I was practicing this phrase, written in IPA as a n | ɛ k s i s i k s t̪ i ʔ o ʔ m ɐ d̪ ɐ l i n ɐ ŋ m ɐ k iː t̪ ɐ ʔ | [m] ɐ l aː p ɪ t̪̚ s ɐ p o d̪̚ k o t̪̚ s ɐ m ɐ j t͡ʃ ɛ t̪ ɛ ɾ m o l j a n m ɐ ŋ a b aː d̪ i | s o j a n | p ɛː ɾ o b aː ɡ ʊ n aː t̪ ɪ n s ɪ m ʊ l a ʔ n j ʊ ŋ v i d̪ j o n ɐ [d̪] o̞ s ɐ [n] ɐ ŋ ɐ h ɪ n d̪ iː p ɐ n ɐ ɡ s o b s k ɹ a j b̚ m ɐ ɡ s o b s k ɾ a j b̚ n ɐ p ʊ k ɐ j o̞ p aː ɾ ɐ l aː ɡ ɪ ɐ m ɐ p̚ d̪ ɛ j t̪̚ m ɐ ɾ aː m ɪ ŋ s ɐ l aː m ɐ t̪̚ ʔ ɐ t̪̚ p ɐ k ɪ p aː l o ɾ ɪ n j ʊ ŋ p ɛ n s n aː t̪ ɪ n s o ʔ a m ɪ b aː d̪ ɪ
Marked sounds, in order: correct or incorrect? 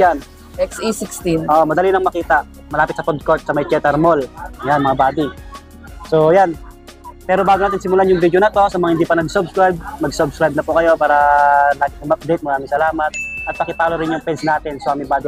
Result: correct, incorrect, incorrect

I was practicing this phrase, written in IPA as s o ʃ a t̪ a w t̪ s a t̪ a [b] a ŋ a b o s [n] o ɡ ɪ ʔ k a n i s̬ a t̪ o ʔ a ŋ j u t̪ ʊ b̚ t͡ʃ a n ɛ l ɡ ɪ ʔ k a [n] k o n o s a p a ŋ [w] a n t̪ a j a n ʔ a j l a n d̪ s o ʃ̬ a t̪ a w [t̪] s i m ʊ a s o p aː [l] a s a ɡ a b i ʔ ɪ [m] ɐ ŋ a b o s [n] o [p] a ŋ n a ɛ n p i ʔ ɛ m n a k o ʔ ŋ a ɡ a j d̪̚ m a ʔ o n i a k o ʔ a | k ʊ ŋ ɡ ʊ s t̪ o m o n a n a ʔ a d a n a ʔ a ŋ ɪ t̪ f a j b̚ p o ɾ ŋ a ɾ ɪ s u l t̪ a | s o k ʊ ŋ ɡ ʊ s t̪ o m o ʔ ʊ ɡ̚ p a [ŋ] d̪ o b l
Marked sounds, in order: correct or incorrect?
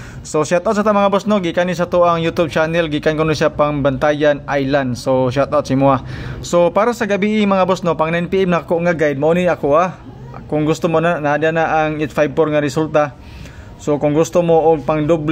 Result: incorrect, correct, correct, incorrect, correct, incorrect, correct, correct, correct, correct

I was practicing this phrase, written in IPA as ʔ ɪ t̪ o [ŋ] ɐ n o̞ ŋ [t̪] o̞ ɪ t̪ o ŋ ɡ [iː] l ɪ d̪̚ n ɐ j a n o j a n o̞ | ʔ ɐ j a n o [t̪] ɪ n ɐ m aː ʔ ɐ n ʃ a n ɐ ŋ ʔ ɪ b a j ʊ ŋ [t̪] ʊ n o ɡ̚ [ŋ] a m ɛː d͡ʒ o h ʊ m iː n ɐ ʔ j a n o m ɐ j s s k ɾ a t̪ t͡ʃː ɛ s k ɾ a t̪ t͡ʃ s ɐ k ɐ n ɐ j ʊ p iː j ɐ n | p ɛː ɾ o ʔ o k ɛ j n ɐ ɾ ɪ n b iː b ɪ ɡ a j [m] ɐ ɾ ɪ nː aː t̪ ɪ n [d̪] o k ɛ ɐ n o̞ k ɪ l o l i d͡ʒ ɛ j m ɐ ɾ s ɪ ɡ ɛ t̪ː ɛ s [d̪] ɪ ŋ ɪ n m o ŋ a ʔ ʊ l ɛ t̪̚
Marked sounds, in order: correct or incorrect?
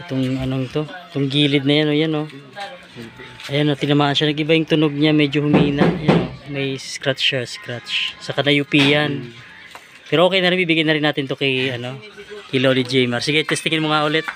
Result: correct, correct, correct, correct, correct, incorrect, incorrect, incorrect, incorrect

